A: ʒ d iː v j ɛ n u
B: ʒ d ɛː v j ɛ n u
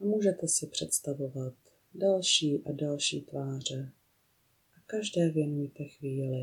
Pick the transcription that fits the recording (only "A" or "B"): B